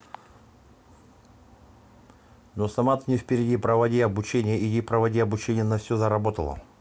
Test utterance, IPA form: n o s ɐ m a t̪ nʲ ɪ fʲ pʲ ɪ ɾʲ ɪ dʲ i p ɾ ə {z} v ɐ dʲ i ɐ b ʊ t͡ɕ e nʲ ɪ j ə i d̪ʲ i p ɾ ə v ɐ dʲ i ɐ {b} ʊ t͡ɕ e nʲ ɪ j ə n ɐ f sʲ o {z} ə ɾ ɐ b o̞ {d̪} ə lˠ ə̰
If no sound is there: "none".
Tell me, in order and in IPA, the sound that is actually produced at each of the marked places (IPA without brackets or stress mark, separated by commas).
none, b, z, t̪